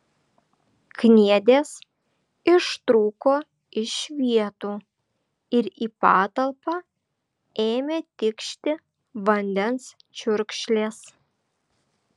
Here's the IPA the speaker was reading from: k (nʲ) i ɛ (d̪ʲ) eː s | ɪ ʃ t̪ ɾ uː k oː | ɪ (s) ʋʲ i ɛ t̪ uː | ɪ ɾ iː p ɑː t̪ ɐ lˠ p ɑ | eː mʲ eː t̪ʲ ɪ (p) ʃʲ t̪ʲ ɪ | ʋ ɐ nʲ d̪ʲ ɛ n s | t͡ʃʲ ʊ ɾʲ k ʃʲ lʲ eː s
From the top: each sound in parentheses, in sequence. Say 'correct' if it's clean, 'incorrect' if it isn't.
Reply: correct, correct, incorrect, incorrect

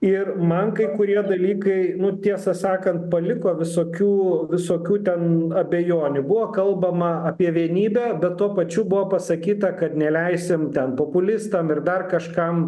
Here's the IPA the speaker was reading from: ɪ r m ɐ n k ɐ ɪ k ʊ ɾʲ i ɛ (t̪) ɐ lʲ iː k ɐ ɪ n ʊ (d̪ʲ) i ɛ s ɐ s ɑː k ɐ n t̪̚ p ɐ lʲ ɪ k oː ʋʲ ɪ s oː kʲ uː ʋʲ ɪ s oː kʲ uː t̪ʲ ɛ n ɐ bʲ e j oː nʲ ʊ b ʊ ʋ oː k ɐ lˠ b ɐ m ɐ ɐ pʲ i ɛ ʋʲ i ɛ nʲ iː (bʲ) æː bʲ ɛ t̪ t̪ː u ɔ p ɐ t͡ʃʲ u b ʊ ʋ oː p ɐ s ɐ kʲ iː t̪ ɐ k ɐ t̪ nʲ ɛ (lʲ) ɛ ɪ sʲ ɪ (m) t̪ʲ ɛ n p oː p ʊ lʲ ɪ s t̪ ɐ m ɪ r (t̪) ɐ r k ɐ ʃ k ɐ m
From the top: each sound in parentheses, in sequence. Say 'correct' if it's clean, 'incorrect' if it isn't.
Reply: incorrect, incorrect, correct, correct, correct, incorrect

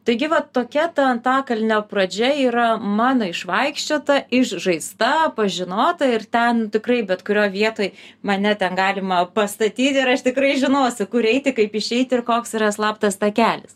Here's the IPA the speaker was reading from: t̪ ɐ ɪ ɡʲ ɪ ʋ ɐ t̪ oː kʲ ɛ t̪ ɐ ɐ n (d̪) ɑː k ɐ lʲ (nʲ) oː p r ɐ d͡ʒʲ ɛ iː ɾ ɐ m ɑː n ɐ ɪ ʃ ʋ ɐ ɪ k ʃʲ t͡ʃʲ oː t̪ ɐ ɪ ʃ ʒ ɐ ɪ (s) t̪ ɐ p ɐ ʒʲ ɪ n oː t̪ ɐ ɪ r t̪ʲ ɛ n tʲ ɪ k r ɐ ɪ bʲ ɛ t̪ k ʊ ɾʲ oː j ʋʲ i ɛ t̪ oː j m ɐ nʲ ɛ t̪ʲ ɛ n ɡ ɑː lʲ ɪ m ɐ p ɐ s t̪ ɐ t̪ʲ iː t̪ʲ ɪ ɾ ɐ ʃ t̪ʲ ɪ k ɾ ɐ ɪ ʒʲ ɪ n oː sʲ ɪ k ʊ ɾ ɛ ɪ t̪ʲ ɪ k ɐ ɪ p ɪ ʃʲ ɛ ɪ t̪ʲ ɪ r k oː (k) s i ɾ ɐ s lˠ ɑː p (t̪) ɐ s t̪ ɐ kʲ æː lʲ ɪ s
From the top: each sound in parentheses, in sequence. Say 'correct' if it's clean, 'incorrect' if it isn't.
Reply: incorrect, correct, correct, correct, correct

